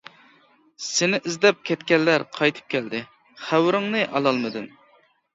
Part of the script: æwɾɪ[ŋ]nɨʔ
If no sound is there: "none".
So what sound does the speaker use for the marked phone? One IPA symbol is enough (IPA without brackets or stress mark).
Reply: ŋ